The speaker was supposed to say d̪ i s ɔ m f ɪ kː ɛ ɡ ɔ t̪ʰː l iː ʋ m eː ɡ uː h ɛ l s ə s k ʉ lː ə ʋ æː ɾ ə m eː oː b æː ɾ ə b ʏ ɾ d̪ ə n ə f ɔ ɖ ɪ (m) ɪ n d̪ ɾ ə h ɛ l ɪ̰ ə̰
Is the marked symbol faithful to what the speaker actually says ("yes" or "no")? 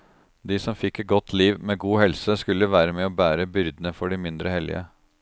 yes